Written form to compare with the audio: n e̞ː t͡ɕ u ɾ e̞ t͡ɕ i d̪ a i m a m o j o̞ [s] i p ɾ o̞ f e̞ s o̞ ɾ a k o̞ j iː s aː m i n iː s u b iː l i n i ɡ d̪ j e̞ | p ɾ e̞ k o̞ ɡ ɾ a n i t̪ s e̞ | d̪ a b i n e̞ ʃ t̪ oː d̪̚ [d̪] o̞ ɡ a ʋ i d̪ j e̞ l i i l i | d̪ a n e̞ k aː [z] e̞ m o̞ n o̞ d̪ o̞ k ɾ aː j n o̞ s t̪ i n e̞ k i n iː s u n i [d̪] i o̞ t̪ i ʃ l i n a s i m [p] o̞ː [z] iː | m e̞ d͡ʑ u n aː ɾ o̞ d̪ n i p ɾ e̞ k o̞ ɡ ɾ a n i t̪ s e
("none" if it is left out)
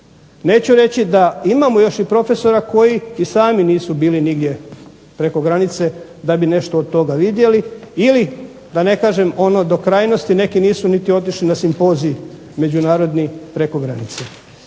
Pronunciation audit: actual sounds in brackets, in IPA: ʃ, t̪, ʒ, t̪, p, z

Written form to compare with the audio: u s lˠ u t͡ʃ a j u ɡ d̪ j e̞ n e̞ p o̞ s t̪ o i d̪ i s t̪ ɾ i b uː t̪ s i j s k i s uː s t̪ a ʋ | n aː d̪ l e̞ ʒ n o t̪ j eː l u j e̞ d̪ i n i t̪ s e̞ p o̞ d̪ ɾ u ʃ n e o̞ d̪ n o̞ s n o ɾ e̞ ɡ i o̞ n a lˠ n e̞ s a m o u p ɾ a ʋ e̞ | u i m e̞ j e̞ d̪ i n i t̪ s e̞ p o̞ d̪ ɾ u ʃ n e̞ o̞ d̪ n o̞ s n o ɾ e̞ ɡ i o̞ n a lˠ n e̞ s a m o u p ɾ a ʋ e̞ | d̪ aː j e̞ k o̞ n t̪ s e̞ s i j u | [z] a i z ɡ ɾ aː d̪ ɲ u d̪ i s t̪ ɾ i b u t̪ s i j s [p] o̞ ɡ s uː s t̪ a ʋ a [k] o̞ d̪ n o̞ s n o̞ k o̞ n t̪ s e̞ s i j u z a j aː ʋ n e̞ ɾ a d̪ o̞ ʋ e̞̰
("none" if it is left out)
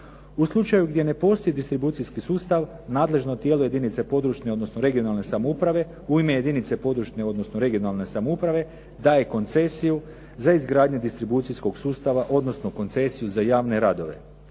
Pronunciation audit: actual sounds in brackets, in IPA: z, k, ʔ

